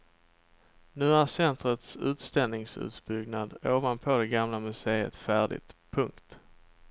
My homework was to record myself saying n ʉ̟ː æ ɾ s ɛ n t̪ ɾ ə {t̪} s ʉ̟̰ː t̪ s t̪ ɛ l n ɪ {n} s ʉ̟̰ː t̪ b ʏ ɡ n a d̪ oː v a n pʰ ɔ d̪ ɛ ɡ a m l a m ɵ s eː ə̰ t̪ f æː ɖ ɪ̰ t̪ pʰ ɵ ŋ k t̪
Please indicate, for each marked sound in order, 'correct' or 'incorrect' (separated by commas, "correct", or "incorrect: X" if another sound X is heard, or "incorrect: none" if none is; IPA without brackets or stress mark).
correct, incorrect: ŋ